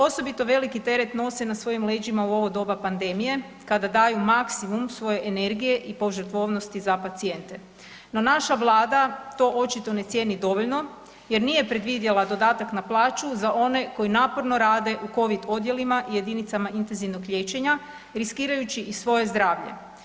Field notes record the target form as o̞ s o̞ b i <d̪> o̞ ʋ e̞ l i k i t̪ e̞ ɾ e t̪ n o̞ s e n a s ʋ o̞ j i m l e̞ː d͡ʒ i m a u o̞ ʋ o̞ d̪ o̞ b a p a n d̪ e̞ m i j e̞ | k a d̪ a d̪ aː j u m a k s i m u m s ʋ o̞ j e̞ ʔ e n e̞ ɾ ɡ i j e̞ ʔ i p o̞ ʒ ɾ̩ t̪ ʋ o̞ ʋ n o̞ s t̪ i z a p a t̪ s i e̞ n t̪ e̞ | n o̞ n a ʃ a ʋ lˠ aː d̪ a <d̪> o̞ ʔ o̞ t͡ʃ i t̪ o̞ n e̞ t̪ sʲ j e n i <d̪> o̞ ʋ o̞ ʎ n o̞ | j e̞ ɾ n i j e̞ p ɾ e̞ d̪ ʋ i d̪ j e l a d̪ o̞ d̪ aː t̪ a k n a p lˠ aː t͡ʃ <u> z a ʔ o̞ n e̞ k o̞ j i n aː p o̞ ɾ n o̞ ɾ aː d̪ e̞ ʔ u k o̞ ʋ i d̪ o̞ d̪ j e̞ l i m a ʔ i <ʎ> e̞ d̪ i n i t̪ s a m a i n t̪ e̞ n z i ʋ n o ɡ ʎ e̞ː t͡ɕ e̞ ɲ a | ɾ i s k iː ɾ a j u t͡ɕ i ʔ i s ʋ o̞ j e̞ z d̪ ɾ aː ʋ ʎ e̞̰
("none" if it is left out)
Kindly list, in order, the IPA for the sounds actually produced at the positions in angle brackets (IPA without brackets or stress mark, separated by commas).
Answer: t̪, t̪, d̪, u, j